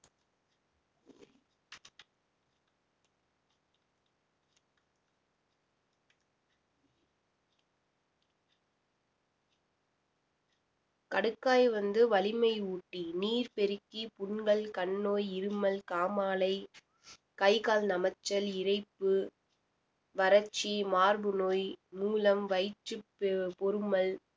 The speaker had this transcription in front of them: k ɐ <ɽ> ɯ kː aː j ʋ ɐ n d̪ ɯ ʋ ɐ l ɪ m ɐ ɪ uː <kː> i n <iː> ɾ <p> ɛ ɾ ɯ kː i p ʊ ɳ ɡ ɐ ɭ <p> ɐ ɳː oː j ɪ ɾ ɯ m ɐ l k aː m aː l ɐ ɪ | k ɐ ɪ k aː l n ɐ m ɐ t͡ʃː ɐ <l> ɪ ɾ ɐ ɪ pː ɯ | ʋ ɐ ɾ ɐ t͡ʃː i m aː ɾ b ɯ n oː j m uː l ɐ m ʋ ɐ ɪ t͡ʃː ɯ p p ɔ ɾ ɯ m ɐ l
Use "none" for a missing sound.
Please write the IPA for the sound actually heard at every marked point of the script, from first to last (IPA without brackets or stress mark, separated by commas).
ɽ, ʈː, iː, p, k, l